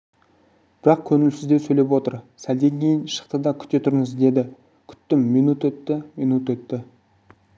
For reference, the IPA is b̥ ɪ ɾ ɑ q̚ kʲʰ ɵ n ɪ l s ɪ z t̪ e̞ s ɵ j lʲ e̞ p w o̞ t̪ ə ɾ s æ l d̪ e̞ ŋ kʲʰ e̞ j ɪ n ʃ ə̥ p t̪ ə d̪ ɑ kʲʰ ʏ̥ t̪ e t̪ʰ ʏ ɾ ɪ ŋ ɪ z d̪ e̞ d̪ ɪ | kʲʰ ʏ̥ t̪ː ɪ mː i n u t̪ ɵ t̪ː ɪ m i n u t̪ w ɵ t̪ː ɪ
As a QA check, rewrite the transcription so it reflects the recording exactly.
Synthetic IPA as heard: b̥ ɪ ɾ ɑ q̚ kʲʰ ɵ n ɪ l s ɪ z d̪ e̞ s ɵ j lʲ e̞ p w o̞ t̪ ə ɾ s æ l d̪ e̞ ŋ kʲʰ e̞ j ɪ n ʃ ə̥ q t̪ ə d̪ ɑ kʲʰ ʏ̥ t̪ e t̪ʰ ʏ ɾ ɪ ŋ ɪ z d̪ e̞ d̪ ɪ | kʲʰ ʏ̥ t̪ː ɪ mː i n u t̪ ɵ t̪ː ɪ m i n u t̪ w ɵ t̪ː ɪ